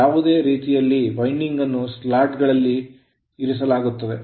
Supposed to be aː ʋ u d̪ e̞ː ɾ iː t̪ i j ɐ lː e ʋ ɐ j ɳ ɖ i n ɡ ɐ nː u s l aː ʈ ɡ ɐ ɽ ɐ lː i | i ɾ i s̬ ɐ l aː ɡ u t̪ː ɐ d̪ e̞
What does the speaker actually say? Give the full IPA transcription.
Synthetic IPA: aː ʋ u d̪ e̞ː ɾ iː t̪ i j ɐ lː i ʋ ɐ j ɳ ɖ i ŋ ɡ ɐ nː u s l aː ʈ ɡ ɐ ɭ ɐ lː i | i ɾ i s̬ ɐ l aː ɡ u t̪ː ɐ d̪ e̞